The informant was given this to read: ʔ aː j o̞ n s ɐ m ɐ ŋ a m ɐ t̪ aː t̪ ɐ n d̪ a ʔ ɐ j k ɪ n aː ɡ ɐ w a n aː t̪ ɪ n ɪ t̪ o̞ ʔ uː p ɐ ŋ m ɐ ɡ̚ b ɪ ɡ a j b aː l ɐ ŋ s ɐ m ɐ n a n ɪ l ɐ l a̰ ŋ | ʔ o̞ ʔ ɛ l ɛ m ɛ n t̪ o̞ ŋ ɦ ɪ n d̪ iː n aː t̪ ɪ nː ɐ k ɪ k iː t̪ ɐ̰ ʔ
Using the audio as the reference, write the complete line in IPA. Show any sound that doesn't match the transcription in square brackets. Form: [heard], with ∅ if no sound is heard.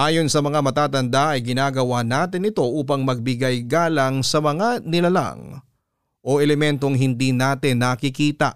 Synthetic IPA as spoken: ʔ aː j o̞ n s ɐ m ɐ ŋ a m ɐ t̪ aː t̪ ɐ n d̪ a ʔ ɐ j [ɡ] ɪ n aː ɡ ɐ w a n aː t̪ ɪ n ɪ t̪ o̞ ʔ uː p ɐ ŋ m ɐ ɡ̚ b ɪ ɡ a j [ɡ] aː l ɐ ŋ s ɐ m ɐ [ŋ] a n ɪ l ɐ l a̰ ŋ | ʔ o̞ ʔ ɛ l ɛ m ɛ n t̪ o̞ ŋ ɦ ɪ n d̪ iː n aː t̪ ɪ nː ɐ k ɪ k iː t̪ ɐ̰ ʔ